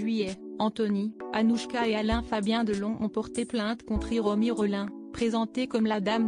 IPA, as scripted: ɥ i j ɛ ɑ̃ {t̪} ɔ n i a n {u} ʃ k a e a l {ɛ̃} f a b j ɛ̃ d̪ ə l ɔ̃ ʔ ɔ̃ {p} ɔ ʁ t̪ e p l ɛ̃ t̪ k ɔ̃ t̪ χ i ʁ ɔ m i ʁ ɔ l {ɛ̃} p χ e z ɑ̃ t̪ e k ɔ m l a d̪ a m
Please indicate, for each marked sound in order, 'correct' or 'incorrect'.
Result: correct, correct, correct, correct, correct

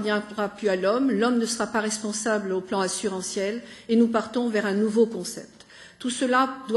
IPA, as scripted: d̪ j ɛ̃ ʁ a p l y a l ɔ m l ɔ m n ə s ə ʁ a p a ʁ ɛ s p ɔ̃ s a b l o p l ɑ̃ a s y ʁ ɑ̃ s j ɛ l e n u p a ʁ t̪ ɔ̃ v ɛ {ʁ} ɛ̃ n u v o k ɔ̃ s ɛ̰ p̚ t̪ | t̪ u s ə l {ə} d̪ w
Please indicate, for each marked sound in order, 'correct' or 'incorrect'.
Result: correct, incorrect

